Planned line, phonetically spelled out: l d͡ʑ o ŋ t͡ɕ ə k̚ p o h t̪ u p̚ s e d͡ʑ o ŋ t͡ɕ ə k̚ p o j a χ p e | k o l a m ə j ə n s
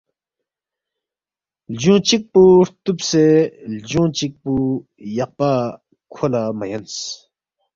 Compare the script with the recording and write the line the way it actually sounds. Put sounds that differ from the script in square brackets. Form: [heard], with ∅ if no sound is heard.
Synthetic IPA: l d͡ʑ o ŋ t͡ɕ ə k̚ p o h t̪ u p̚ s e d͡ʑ o ŋ t͡ɕ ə k̚ p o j a χ p [a] | [kʰ] o l a m ə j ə n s